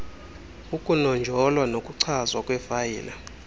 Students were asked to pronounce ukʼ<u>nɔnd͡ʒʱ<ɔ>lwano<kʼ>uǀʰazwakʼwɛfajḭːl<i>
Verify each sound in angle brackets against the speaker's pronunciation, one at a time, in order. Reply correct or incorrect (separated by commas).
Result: correct, correct, correct, incorrect